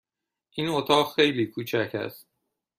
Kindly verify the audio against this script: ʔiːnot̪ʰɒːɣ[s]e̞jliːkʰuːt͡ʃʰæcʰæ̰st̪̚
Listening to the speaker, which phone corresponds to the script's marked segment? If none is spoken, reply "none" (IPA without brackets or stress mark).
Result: x